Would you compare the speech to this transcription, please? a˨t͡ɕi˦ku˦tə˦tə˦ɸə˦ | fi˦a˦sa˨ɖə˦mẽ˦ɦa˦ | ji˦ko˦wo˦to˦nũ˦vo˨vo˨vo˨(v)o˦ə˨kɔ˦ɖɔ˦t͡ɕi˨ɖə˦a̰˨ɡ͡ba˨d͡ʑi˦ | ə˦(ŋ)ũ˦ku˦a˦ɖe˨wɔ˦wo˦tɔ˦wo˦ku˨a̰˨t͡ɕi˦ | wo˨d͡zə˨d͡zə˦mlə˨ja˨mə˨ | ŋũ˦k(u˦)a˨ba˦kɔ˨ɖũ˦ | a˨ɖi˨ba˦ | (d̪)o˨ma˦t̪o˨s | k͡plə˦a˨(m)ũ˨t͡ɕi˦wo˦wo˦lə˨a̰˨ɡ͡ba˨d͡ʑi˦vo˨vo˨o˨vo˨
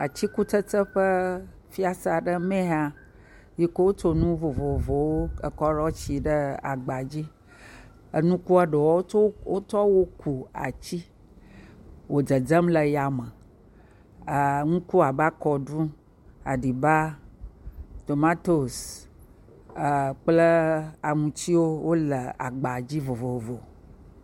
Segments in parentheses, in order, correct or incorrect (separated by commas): incorrect, incorrect, correct, incorrect, incorrect